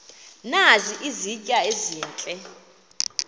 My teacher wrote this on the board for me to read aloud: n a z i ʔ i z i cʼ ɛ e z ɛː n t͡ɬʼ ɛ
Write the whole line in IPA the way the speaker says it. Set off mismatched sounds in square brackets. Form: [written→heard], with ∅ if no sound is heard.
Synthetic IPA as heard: n a z i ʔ i z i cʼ [ɛ→a] e z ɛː n t͡ɬʼ ɛ